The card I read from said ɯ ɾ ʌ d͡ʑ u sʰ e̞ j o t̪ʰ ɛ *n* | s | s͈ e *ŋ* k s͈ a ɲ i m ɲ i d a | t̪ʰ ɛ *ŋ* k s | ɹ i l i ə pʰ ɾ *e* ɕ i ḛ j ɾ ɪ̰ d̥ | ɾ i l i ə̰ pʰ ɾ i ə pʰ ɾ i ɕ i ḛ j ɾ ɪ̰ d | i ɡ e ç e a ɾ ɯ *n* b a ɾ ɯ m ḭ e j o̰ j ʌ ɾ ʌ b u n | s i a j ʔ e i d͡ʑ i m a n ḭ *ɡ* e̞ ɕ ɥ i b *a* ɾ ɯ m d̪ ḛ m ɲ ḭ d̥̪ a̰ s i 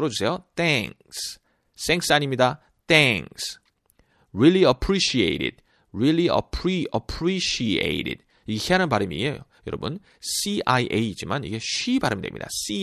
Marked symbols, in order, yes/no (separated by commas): no, yes, yes, no, yes, yes, yes